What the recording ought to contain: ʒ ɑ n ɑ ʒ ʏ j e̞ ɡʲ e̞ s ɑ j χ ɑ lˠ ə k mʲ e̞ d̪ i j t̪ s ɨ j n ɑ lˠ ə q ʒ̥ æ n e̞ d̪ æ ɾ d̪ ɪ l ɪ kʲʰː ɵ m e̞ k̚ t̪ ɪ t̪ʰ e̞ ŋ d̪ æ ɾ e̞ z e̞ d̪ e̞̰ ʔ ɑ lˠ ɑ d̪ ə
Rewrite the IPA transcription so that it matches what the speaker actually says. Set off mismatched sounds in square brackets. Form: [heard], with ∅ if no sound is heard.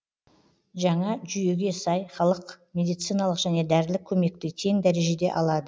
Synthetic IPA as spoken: ʒ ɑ [ɴ] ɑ ʒ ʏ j e̞ ɡʲ e̞ s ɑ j χ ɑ lˠ ə [q] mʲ e̞ d̪ i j t̪ s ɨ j n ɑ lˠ ə q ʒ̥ æ n e̞ d̪ æ ɾ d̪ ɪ l ɪ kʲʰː ɵ m e̞ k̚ t̪ ɪ t̪ʰ e̞ ŋ d̪ æ ɾ e̞ [ʒ] e̞ d̪ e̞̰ ʔ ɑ lˠ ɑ d̪ ə

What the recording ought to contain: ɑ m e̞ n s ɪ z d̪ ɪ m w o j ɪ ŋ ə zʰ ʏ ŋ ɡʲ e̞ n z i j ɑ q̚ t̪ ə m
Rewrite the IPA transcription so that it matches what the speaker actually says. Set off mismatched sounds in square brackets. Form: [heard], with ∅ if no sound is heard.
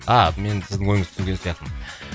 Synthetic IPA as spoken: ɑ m e̞ n s ɪ z d̪ ɪ [ŋ] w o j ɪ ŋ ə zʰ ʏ ŋ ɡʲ e̞ n [s] i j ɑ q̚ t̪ ə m

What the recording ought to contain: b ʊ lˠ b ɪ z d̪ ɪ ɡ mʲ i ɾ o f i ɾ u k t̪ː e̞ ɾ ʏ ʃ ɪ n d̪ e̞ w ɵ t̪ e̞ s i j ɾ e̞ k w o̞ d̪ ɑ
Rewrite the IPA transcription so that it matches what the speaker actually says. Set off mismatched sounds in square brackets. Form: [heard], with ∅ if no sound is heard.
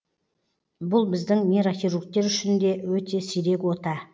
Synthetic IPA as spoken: b ʊ lˠ b ɪ z d̪ ɪ [ŋ] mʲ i ɾ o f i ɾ u k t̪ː e̞ ɾ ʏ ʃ ɪ n d̪ e̞ w ɵ t̪ e̞ s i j ɾ e̞ k w o̞ [t̪] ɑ

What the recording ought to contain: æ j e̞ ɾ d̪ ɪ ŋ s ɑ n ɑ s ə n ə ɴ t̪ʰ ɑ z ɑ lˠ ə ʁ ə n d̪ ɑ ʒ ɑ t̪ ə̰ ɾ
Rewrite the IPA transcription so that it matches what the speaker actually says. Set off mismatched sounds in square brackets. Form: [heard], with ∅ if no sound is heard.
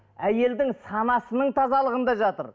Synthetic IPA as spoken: æ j e̞ [l] d̪ ɪ ŋ s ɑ n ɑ s ə n ə ɴ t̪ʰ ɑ z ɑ lˠ ə ʁ ə n d̪ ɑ ʒ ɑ t̪ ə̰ ɾ

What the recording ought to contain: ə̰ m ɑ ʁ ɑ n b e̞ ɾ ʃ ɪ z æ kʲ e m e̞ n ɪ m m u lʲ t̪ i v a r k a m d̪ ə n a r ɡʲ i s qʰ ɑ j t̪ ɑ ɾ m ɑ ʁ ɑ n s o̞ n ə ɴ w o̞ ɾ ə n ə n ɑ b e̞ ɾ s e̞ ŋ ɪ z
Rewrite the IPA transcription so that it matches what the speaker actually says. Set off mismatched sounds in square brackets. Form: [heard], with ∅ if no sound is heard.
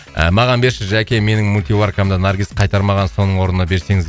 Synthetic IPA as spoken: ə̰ m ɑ ʁ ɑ n b e̞ ɾ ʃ ɪ [ʒ] æ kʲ e m e̞ n ɪ [ŋ] m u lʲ t̪ i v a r k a m d̪ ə n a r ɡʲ i s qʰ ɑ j t̪ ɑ ɾ m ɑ ʁ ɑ n s o̞ n ə ɴ w o̞ ɾ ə n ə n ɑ b e̞ ɾ s e̞ ŋ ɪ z

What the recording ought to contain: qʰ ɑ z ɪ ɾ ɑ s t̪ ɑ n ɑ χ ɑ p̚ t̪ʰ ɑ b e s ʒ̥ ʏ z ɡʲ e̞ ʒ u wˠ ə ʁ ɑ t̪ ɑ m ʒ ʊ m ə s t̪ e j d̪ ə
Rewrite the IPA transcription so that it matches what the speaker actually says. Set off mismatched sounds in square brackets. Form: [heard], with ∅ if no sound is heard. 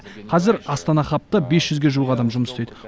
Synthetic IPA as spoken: qʰ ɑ z ɪ ɾ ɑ s t̪ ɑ n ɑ χ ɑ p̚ [t̪] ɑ b e s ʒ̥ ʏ z ɡʲ e̞ ʒ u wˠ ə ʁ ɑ [d̪] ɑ m ʒ ʊ m ə s t̪ e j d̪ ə

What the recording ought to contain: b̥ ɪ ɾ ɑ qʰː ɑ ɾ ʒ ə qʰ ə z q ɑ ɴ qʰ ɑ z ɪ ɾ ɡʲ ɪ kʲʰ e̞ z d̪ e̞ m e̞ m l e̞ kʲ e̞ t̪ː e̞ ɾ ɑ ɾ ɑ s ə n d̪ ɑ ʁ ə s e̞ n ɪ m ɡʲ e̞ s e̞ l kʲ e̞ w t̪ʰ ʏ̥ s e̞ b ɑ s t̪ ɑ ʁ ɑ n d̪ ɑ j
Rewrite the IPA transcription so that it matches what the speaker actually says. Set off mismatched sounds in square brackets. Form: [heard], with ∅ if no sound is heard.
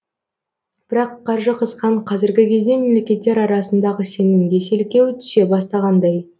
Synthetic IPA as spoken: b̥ ɪ ɾ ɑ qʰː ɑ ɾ ʒ ə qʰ ə z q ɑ ɴ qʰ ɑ z ɪ ɾ ɡʲ ɪ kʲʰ e̞ z d̪ e̞ m e̞ m l e̞ kʲ e̞ t̪ː e̞ ɾ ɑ ɾ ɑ s ə n d̪ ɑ ʁ ə s e̞ n ɪ m ɡʲ e̞ s e̞ l kʲ e̞ w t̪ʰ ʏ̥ s e̞ b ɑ s t̪ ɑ ʁ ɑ n d̪ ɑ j

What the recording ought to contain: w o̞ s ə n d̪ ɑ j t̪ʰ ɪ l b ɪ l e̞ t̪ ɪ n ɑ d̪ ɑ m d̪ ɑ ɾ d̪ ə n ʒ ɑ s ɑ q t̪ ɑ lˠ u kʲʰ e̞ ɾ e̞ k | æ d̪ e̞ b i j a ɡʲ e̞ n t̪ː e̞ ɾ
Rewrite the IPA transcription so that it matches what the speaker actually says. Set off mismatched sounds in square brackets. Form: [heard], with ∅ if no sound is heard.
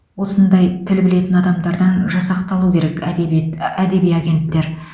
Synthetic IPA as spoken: w o̞ s ə n d̪ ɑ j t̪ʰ ɪ l b ɪ l e̞ t̪ ɪ n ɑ d̪ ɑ m d̪ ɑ ɾ d̪ [ɑ] n ʒ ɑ s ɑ q t̪ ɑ lˠ u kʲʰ e̞ ɾ e̞ k | æ d̪ e̞ b i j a ɡʲ e̞ n t̪ː e̞ ɾ

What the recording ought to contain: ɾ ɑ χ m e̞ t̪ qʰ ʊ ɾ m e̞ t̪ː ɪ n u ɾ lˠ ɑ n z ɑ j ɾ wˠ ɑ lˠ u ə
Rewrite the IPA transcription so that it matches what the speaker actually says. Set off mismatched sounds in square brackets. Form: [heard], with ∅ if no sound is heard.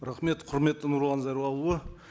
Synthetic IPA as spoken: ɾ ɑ χ m e̞ t̪ qʰ ʊ ɾ m e̞ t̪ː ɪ n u ɾ lˠ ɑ n z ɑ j ɾ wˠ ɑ lˠ u ə

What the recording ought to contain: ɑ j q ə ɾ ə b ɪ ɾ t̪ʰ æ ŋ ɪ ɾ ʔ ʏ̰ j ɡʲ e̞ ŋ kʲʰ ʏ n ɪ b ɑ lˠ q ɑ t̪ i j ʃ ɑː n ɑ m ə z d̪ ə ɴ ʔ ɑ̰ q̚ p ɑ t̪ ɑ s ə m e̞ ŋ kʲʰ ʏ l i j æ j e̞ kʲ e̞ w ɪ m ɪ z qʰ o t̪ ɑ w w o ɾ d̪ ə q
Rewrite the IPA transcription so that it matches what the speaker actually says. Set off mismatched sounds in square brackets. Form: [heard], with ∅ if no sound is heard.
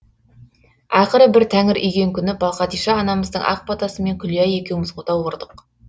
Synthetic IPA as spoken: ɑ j q ə ɾ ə b ɪ ɾ t̪ʰ æ ŋ ɪ ɾ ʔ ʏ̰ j ɡʲ e̞ ŋ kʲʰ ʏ n ɪ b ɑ lˠ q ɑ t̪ i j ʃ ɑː n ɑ m ə z d̪ ə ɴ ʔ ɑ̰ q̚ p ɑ t̪ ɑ s ə m e̞ ŋ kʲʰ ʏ l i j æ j e̞ kʲ e̞ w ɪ m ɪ z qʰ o t̪ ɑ w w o ɾ d̪ ə q

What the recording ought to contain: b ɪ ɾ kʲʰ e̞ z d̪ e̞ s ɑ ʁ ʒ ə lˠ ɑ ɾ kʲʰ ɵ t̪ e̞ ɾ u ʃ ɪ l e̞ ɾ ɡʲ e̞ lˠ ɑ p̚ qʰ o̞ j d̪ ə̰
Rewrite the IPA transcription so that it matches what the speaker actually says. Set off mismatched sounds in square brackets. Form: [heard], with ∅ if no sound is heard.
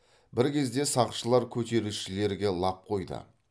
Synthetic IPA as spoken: b ɪ ɾ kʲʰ e̞ z d̪ e̞ s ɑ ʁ [ʃ] ə lˠ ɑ ɾ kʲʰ ɵ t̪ e̞ ɾ u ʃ ɪ l e̞ ɾ ɡʲ e̞ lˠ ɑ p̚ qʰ o̞ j d̪ ə̰

